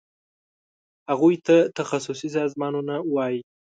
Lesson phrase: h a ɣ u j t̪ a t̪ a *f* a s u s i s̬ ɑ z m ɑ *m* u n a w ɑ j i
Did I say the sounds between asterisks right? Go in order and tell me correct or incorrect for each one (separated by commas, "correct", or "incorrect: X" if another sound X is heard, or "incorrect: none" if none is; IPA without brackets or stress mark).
incorrect: x, incorrect: n